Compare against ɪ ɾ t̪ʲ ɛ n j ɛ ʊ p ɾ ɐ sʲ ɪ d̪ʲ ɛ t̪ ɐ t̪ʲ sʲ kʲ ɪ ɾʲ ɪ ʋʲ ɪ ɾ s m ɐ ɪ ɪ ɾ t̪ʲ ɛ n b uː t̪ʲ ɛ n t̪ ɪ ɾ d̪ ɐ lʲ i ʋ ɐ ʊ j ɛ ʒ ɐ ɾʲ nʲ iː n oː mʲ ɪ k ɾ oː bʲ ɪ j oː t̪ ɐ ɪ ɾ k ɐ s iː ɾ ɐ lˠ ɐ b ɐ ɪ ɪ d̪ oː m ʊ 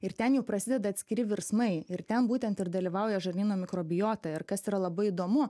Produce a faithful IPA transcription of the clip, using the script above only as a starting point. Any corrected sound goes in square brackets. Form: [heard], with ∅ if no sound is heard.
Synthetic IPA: ɪ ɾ t̪ʲ ɛ n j ɛ ʊ p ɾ ɐ sʲ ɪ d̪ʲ ɛ [d̪] ɐ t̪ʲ sʲ kʲ ɪ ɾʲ ɪ ʋʲ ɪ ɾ s m ɐ ɪ ɪ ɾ t̪ʲ ɛ n b uː t̪ʲ ɛ n t̪ ɪ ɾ d̪ ɐ lʲ i ʋ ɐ ʊ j ɛ ʒ ɐ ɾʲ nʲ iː n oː mʲ ɪ k ɾ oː bʲ ɪ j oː t̪ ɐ ɪ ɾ k ɐ s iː ɾ ɐ lˠ ɐ b ɐ ɪ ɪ d̪ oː m ʊ